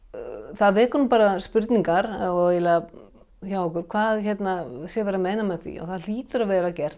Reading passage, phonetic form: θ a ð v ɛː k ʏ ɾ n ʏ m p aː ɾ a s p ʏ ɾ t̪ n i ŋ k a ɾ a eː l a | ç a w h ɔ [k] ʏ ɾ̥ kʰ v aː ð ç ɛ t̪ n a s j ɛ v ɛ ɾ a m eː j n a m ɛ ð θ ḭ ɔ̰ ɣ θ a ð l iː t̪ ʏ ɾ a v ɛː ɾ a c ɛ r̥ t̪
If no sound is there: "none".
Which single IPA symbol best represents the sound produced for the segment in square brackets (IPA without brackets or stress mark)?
k